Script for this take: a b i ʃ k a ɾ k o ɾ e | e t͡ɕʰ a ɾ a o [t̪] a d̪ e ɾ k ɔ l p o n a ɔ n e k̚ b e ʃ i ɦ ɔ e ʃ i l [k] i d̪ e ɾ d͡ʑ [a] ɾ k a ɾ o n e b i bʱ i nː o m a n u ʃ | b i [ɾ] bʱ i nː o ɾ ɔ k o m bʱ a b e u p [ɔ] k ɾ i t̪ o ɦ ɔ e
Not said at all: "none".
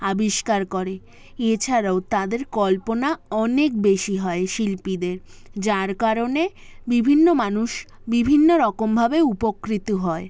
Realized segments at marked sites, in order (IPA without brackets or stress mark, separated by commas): t̪, p, a, none, o